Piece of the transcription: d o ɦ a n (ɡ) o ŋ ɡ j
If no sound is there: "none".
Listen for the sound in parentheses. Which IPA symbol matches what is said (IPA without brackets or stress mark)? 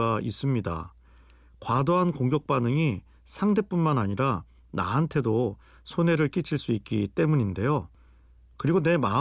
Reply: k